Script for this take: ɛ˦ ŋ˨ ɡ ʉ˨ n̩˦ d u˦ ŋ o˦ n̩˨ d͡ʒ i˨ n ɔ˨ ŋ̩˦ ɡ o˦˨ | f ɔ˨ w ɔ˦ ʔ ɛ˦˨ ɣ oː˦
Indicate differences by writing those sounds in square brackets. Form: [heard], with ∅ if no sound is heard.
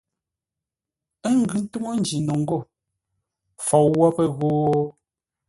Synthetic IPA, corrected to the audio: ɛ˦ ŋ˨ ɡ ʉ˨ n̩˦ [t] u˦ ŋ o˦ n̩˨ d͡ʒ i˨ n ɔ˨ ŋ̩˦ ɡ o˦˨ | f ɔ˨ w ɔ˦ [p] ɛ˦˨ ɣ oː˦